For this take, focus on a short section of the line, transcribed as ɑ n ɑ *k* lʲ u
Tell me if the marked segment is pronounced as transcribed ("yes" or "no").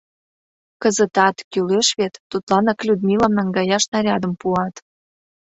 yes